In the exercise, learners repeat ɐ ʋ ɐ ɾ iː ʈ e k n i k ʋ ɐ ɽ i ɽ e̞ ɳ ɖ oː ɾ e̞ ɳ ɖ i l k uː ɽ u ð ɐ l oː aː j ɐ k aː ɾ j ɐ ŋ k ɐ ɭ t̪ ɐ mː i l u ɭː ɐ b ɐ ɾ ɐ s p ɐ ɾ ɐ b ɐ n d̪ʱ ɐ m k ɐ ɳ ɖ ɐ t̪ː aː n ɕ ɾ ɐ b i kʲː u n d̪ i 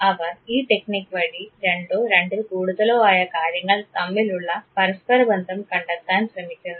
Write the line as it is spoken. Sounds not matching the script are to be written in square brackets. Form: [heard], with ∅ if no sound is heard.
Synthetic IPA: ɐ ʋ ɐ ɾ iː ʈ e k n i k ʋ ɐ ɽ i [ɾ] e̞ ɳ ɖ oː ɾ e̞ ɳ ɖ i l k uː ɽ u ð ɐ l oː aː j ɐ k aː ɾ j ɐ ŋ [ɡ] ɐ ɭ t̪ ɐ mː i l u ɭː ɐ [p] ɐ ɾ ɐ s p ɐ ɾ ɐ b ɐ n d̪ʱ ɐ m k ɐ ɳ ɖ ɐ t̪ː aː n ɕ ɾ ɐ [m] i kʲː u n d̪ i